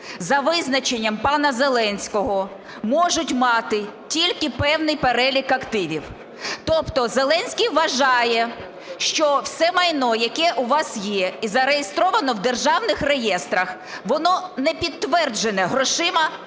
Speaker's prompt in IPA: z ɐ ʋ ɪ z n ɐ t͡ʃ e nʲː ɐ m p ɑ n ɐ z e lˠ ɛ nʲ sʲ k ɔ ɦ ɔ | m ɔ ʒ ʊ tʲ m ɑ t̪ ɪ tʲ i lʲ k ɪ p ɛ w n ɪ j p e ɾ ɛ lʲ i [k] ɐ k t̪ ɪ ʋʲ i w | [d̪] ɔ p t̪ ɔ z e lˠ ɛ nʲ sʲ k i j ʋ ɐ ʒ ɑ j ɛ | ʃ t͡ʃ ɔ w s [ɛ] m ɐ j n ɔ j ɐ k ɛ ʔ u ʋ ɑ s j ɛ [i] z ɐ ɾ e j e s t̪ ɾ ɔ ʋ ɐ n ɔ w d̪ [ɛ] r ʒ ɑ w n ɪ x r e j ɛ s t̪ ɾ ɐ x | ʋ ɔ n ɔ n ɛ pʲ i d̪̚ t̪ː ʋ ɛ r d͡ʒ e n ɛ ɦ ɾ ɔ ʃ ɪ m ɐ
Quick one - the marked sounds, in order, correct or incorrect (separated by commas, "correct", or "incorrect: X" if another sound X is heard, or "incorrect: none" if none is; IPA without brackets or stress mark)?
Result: correct, incorrect: t̪, correct, correct, incorrect: e